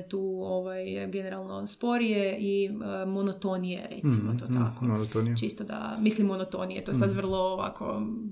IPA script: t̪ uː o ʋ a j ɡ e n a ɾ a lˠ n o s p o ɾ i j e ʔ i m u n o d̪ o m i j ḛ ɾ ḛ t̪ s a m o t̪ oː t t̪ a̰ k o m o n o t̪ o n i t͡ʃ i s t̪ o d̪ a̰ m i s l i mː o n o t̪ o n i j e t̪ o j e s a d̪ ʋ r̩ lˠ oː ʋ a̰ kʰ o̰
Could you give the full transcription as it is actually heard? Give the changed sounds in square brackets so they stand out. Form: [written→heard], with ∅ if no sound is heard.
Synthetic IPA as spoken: t̪ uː o ʋ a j ɡ e n [a→e] ɾ a lˠ n o s p o ɾ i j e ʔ i m [u→o] n o [d̪→t̪] o [m→n] i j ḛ ɾ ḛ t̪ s [a→i] m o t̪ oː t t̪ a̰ k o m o n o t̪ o n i t͡ʃ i s t̪ o d̪ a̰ m i s l i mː o n o t̪ o n i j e t̪ o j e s a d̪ ʋ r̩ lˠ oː ʋ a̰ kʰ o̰